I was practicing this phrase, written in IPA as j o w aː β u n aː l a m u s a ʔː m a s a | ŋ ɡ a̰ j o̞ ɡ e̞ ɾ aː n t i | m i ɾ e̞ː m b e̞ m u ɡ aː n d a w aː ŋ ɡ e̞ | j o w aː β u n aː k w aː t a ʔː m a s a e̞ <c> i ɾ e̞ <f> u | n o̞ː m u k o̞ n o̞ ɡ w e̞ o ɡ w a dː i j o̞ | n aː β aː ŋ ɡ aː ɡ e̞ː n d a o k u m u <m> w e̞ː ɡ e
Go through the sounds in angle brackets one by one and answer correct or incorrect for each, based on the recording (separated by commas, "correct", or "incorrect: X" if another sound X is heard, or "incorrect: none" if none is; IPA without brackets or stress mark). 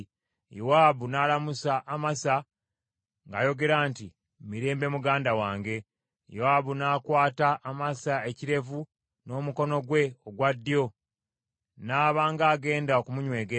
correct, incorrect: v, incorrect: ɲ